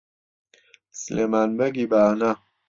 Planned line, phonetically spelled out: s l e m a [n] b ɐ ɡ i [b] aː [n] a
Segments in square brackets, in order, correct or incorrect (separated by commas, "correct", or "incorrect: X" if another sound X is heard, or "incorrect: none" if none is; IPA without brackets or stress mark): correct, correct, correct